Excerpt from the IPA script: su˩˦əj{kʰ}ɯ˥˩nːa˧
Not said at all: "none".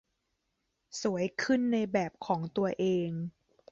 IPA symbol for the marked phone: kʰ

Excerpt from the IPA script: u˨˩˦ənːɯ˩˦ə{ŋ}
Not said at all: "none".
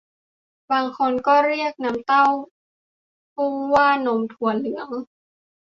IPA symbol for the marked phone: ŋ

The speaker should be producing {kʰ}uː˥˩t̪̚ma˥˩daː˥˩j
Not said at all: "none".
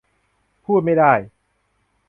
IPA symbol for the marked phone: pʰ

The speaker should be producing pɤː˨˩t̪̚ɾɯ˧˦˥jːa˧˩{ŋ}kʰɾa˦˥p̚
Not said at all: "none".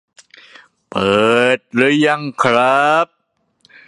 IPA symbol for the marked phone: ŋ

